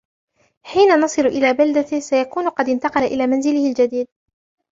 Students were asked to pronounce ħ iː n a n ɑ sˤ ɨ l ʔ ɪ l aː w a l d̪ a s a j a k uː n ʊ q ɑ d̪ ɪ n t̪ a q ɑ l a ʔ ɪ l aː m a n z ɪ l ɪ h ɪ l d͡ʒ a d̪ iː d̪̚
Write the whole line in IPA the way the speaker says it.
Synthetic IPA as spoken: ħ iː n a n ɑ sˤ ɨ l ʔ ɪ l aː b a l d̪ a s a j a k uː n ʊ q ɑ d̪ ɪ n t̪ ɑ q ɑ l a ʔ ɪ l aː m a n z ɪ l ɪ h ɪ l d͡ʒ a d̪ iː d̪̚